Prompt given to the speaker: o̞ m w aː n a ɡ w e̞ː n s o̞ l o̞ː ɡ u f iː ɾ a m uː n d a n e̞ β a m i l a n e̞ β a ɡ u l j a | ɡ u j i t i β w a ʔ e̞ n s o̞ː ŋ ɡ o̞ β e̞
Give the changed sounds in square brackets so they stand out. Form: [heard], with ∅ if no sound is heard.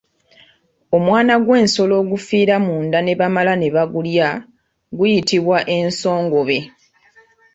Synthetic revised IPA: o̞ m w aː n a ɡ w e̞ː n s o̞ l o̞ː ɡ u f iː ɾ a m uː n d a n e̞ β a m [a] l a n e̞ β a ɡ u l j a | ɡ u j i t i β w a ʔ e̞ n s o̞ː ŋ ɡ o̞ β e̞